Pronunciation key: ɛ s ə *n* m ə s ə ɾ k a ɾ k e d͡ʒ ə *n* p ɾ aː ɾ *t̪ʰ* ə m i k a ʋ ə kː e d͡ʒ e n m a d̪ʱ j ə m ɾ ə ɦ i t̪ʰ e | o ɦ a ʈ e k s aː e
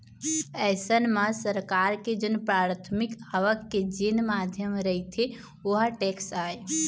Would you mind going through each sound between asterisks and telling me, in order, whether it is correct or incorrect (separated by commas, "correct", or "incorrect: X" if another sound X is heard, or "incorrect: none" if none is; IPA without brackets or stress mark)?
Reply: correct, correct, correct